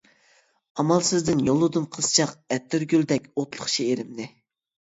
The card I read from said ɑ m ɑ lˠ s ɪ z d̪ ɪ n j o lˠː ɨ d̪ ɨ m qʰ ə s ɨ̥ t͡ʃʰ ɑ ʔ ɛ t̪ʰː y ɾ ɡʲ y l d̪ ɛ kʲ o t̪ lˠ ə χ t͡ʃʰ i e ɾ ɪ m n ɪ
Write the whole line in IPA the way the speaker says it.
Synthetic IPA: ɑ m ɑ lˠ s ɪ z d̪ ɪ n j o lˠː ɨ d̪ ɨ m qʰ ə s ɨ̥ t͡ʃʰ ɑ q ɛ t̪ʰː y ɾ ɡʲ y l d̪ ɛ kʲ o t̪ lˠ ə χ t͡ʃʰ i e ɾ ɪ m n ɪ